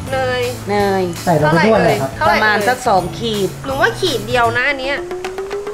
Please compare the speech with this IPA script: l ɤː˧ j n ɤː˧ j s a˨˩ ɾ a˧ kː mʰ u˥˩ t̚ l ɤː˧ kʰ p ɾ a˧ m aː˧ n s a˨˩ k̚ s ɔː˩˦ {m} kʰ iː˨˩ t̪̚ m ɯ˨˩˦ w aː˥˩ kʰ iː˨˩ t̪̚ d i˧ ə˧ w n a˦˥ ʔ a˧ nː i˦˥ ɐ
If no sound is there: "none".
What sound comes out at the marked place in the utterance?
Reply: ŋ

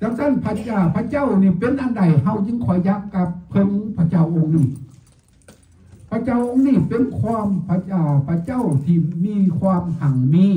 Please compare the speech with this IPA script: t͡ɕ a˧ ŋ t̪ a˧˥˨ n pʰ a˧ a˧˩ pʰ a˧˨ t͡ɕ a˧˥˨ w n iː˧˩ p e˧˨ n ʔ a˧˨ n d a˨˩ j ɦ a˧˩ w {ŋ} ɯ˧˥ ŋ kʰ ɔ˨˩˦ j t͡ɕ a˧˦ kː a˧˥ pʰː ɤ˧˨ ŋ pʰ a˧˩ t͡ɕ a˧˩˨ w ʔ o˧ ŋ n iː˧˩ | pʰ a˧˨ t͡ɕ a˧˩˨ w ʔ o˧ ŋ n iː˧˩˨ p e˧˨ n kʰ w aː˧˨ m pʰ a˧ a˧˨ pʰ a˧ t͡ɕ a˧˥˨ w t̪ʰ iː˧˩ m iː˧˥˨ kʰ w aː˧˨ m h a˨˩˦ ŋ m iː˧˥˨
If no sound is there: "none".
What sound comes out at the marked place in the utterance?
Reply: ɲ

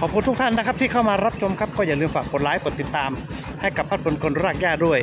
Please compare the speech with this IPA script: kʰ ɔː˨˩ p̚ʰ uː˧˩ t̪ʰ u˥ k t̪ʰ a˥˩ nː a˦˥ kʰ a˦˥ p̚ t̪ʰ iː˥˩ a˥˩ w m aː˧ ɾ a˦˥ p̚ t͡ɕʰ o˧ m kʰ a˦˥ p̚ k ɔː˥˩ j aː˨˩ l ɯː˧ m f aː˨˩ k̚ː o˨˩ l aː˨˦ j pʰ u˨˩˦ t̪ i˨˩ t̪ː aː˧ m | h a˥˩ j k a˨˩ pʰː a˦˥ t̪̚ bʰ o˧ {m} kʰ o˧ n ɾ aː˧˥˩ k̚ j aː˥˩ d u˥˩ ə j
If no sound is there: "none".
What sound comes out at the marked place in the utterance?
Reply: n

